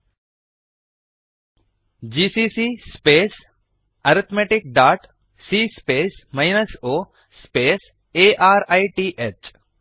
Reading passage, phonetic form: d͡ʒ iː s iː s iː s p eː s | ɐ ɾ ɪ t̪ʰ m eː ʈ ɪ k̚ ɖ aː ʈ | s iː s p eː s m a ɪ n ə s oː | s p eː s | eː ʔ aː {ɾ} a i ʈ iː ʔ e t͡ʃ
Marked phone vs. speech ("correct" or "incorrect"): correct